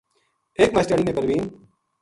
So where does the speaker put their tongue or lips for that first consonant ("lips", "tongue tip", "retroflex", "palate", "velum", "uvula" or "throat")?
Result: velum